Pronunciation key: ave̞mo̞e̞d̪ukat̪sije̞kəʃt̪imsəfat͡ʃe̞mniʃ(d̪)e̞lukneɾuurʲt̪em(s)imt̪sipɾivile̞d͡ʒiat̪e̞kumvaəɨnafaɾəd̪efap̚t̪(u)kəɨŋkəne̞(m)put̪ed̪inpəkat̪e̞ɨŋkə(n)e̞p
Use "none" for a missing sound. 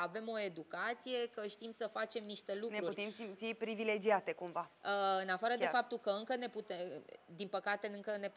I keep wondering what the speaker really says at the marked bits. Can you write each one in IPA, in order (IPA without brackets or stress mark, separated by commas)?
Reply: t̪, s, u, none, n